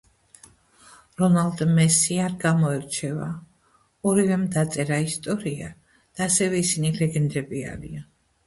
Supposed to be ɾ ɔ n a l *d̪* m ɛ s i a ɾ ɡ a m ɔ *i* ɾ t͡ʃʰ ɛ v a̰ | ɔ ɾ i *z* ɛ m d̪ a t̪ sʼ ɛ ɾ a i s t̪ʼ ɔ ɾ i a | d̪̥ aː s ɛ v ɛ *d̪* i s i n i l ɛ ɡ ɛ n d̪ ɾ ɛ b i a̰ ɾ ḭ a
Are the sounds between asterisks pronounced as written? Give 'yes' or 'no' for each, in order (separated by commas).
yes, no, no, no